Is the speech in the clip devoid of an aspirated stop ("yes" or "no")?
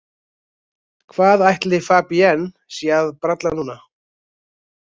no